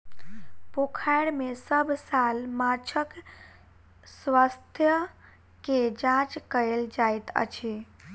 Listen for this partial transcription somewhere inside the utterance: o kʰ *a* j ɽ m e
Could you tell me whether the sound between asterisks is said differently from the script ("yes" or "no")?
no